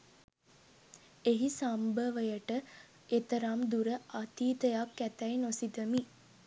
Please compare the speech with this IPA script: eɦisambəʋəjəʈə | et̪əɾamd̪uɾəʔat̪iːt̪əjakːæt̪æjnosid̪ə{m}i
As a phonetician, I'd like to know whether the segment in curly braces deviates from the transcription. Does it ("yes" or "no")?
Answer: no